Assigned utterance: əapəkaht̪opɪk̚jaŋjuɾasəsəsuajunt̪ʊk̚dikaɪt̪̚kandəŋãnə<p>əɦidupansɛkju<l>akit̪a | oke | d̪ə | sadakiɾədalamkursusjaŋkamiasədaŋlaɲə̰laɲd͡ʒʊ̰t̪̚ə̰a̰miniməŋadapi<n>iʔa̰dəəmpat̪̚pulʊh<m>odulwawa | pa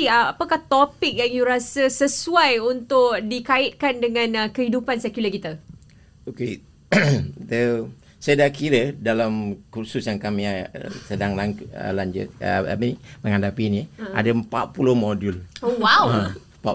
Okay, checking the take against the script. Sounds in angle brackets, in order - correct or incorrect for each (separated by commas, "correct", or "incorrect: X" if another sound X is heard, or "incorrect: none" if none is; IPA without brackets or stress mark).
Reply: incorrect: k, correct, correct, correct